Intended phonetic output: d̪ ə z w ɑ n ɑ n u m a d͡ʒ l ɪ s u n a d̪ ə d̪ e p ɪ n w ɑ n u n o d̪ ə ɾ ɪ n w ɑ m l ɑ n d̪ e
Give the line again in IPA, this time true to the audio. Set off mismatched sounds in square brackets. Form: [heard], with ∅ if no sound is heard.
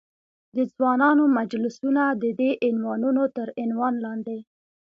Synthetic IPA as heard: d̪ ə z w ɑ n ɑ n [o] m a d͡ʒ l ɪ s u n a d̪ ə d̪ e [ʔ] ɪ n w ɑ n u n o [t̪] ə ɾ ɪ n w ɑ [n] l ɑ n d̪ e

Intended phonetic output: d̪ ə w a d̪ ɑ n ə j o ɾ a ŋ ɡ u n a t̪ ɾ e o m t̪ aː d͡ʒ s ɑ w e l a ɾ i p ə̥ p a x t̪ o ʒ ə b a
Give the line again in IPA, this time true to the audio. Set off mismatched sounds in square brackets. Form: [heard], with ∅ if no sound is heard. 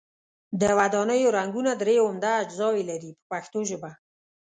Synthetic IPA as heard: d̪ ə w a d̪ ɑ n ə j o ɾ a ŋ ɡ u n a [d̪] ɾ e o m [d̪] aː d͡ʒ [z] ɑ w e l a ɾ i p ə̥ p a x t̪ o ʒ ə b a

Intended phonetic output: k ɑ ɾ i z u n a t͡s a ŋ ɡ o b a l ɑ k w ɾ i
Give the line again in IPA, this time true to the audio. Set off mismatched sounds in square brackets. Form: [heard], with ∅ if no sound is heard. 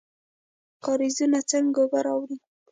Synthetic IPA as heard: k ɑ ɾ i z u n a t͡s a ŋ ɡ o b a [ɾ] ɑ [∅] w ɾ i

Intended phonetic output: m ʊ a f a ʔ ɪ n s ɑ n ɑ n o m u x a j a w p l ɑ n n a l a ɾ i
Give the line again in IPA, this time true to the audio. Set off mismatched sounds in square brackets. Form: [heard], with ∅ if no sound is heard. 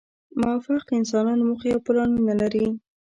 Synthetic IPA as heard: m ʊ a f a [q] ɪ n s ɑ n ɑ n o m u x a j a w p l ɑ n n a l a ɾ i

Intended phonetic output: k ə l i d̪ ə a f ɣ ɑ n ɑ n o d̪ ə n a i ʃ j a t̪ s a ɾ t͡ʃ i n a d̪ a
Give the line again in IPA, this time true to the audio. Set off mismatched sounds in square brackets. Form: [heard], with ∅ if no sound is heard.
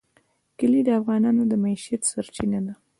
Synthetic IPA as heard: k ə l i d̪ ə a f ɣ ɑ n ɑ n o d̪ ə [m] a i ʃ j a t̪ s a ɾ t͡ʃ i n a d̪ a

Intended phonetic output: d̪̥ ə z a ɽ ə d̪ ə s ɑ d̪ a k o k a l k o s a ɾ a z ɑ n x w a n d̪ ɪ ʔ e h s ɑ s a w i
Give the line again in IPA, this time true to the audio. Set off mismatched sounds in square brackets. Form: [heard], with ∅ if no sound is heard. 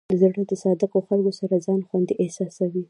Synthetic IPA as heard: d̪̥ ə z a ɽ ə d̪ ə s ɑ d̪ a k o [x] a l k o s a ɾ a z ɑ n x w a n d̪ [i] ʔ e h s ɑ s a w i

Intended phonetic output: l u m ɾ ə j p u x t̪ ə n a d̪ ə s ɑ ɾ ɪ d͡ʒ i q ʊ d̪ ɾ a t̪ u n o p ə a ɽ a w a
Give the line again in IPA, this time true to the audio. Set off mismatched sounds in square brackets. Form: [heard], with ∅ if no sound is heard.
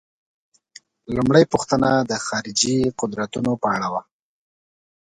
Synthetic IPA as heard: l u m [ɽ] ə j p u x t̪ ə n a d̪ ə [x] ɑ ɾ ɪ d͡ʒ i q ʊ d̪ ɾ a t̪ u n o p ə a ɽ a w a

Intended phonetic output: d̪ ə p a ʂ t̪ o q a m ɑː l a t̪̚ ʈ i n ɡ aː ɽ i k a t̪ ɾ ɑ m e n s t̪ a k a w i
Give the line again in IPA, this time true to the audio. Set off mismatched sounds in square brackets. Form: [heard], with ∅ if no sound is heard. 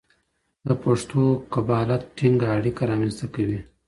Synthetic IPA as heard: d̪ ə p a ʂ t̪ o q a [b] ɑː l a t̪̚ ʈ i [ŋ] ɡ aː ɽ i k a [∅] ɾ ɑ m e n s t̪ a k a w i

